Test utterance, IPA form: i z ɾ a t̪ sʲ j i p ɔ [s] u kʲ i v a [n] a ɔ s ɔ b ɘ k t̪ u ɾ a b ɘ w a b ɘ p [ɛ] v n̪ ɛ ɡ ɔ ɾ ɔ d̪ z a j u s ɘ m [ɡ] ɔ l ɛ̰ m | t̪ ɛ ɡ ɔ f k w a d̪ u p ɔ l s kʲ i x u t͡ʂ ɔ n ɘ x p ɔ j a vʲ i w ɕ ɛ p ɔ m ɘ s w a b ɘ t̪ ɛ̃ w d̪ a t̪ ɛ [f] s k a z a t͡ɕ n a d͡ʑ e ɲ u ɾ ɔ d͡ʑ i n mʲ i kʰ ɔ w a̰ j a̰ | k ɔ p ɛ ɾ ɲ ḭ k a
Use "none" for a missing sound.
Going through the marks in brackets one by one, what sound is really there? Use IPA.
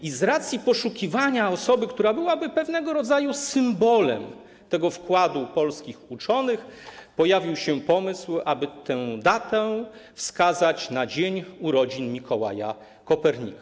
ʂ, ɲ, ɛ, b, f

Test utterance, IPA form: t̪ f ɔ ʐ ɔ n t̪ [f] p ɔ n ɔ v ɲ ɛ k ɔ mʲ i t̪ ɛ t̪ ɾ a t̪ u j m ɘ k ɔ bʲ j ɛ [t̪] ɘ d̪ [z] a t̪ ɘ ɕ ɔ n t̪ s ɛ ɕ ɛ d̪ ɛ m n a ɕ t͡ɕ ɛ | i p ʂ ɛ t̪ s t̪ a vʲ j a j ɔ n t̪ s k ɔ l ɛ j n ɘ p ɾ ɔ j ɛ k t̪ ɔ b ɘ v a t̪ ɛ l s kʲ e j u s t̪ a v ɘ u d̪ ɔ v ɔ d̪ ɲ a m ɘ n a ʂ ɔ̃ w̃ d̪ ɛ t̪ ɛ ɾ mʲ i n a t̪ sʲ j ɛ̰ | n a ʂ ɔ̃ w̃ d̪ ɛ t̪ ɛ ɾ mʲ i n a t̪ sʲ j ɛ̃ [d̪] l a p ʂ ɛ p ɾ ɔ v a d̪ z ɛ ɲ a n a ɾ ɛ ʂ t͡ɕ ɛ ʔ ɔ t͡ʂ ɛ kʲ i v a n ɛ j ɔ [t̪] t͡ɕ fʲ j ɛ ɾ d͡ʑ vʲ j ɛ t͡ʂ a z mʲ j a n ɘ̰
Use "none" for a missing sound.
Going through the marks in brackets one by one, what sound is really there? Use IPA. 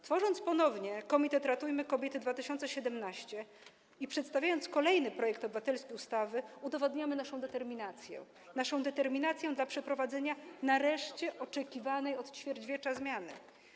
s, t̪, v, d̪, t̪

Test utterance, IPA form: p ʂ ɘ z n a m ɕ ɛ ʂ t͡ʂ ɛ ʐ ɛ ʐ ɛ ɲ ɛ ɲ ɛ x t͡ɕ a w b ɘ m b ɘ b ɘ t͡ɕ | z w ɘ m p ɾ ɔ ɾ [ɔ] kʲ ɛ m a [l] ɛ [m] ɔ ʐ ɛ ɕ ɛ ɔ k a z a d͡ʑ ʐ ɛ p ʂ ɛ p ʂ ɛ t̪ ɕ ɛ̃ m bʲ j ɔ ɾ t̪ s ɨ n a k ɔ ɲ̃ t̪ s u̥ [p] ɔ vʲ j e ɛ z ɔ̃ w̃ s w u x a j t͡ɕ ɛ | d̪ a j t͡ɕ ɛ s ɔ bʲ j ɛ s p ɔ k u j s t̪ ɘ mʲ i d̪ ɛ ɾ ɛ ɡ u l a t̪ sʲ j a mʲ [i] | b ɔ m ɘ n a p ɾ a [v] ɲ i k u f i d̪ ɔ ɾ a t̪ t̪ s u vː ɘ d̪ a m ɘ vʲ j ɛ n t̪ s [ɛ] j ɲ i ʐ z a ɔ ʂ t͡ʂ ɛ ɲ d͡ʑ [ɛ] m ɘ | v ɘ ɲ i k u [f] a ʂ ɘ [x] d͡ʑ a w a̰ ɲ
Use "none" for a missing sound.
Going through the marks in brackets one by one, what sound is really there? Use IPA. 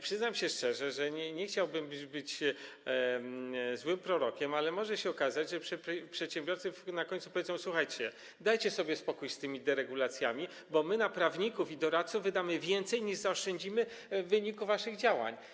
ɔ, l, m, p, i, v, ɛ, i, v, ɣ

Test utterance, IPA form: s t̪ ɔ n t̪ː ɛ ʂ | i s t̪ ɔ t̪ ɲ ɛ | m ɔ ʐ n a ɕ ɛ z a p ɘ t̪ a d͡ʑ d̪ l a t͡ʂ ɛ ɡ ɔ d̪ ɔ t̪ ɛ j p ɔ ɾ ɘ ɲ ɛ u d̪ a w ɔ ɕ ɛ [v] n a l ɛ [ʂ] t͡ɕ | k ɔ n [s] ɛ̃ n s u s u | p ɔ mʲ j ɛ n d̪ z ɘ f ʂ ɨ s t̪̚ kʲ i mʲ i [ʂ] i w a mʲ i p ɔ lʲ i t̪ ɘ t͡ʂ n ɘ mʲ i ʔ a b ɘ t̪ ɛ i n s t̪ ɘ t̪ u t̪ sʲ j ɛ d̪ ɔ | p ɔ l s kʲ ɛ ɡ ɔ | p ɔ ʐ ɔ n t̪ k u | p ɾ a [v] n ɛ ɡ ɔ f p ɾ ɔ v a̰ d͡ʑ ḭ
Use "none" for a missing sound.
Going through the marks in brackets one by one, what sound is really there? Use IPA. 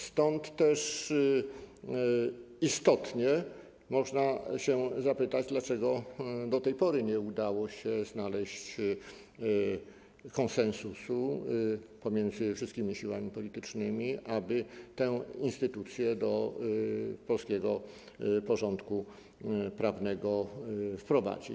z, ɕ, s, ɕ, v

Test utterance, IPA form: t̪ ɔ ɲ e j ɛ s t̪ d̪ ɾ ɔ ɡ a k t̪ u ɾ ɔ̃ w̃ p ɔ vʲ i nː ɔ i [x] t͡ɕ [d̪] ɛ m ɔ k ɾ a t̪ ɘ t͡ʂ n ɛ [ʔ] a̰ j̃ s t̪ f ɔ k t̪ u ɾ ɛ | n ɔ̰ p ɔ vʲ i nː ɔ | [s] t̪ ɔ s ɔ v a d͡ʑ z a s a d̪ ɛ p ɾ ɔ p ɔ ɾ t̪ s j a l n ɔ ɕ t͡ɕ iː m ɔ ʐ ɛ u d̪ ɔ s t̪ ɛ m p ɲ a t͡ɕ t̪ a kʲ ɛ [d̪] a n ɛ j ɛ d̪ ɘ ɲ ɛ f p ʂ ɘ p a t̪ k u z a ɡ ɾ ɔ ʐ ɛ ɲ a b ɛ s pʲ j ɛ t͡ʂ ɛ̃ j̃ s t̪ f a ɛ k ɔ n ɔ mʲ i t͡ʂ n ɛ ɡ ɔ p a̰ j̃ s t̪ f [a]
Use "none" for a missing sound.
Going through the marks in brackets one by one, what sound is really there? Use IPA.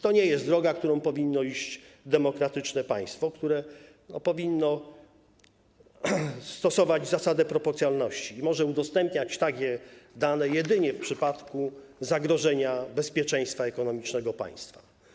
ɕ, d̪, p, s, d̪, a

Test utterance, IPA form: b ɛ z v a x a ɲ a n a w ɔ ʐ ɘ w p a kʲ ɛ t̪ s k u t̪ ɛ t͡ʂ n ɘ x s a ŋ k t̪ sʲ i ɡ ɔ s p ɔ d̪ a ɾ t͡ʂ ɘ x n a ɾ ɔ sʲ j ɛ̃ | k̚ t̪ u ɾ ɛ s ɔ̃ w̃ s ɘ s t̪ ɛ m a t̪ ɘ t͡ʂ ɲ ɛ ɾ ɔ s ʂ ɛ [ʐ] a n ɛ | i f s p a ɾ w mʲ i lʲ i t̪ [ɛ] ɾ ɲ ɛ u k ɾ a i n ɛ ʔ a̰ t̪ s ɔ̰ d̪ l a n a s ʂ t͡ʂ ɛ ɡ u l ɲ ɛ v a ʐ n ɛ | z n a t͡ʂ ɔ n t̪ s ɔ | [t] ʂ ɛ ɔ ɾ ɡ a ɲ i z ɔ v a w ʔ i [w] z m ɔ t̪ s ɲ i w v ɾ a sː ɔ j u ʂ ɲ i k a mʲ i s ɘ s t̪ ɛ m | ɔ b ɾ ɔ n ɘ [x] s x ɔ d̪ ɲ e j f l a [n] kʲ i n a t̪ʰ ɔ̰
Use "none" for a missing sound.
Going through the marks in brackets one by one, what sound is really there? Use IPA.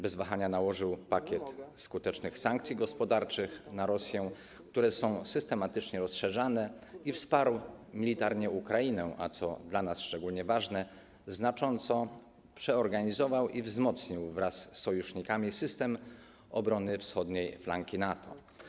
ʐ, a, p, v, f, ŋ

